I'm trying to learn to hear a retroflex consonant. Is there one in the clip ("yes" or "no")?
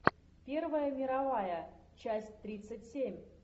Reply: no